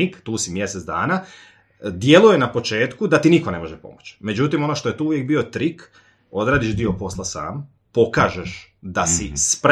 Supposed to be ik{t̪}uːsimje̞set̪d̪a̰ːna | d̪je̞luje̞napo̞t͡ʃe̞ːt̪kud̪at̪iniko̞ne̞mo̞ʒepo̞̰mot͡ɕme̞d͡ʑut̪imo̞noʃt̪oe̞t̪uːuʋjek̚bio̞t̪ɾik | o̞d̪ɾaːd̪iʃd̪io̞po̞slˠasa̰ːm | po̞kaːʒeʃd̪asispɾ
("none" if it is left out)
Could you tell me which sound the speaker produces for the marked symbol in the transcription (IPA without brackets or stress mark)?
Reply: t̪